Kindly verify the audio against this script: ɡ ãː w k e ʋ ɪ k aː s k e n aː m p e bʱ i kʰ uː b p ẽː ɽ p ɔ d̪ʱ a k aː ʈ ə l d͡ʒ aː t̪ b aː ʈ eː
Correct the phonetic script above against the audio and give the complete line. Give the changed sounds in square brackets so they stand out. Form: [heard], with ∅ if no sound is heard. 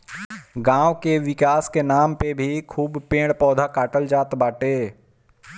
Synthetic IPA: ɡ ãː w k e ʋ ɪ k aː s k e n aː m p e bʱ i kʰ uː b p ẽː ɽ p [ɔː] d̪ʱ a k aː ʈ ə l d͡ʒ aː t̪ b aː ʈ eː